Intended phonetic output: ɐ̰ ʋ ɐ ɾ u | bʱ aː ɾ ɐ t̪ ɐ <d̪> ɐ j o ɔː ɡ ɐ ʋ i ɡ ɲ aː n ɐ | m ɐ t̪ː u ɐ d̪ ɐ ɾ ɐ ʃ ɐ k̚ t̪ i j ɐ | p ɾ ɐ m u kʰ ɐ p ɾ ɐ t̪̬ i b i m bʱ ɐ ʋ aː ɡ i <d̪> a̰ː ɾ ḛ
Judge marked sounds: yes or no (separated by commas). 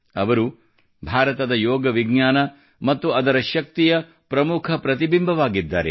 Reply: yes, no